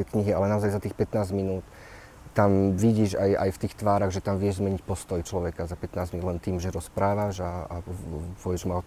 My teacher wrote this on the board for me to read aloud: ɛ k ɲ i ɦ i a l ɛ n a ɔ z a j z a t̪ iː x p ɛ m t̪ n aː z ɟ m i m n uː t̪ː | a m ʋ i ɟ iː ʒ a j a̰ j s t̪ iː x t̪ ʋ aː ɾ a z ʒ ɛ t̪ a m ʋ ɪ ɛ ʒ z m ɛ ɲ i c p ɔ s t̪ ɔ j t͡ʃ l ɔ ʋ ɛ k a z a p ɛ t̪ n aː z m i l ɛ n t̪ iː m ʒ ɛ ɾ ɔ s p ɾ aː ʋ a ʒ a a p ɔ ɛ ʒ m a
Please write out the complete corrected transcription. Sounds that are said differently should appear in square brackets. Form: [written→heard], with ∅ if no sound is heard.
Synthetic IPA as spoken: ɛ k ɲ i ɦ i a l ɛ n a ɔ z a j z a t̪ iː x p ɛ [m→∅] t̪ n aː z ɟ m i [m→∅] n uː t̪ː | a m ʋ i ɟ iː ʒ a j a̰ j [s→f] t̪ iː x t̪ ʋ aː ɾ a [z→ɣ] ʒ ɛ t̪ a m ʋ ɪ ɛ ʒ z m ɛ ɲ i c p ɔ s t̪ ɔ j t͡ʃ l ɔ ʋ ɛ k a z a p ɛ t̪ n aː z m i l ɛ n t̪ iː m ʒ ɛ ɾ ɔ s p ɾ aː ʋ a ʒ a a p ɔ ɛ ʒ m a